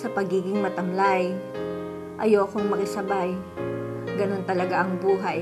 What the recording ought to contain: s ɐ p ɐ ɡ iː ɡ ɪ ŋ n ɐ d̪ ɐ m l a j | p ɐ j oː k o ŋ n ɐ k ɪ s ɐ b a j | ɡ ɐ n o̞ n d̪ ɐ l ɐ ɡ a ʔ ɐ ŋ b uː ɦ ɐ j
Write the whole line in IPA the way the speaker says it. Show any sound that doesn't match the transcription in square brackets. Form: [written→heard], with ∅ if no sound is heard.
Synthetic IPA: s ɐ p ɐ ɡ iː ɡ ɪ ŋ [n→m] ɐ [d̪→t̪] ɐ m l a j | [p→ʔ] ɐ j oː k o ŋ [n→m] ɐ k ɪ s ɐ b a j | ɡ ɐ n o̞ n [d̪→t̪] ɐ l ɐ ɡ a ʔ ɐ ŋ b uː ɦ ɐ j